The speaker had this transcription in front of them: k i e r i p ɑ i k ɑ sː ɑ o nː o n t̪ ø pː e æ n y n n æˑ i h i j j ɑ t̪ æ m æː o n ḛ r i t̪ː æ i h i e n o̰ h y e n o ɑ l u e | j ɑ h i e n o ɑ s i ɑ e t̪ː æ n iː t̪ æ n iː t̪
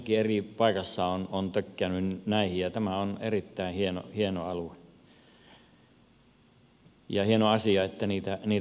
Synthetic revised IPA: k i e r i p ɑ i k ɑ sː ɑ o n o n t̪ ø kː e æ n y n n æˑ i h i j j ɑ t̪ æ m æ o n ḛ r i t̪ː æ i h i e n o̰ h i e n o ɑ l u e | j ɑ h i e n o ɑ s i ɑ e t̪ː æ n iː t̪ æ n iː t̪